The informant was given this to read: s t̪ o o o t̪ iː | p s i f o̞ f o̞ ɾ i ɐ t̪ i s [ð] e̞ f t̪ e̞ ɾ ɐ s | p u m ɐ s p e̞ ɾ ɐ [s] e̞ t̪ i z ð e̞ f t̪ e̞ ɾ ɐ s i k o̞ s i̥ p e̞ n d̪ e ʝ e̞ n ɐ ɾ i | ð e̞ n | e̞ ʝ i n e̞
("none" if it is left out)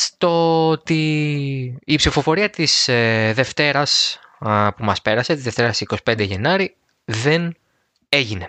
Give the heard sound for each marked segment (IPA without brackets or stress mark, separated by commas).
ð, s